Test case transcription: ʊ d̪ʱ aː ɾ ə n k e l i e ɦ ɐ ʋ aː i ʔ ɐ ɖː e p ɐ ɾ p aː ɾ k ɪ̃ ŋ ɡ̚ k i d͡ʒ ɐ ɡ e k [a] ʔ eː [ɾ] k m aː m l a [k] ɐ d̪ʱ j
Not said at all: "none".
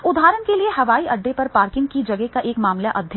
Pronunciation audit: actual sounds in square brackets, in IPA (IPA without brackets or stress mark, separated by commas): a, none, ʔ